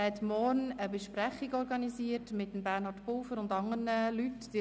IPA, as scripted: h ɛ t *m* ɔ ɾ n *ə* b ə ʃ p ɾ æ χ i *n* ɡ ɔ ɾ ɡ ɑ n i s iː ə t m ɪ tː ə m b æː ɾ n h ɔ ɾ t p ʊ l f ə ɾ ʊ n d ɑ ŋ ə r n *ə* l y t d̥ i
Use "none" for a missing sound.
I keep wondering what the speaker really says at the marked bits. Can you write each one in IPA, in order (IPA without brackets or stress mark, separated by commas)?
m, ə, none, ə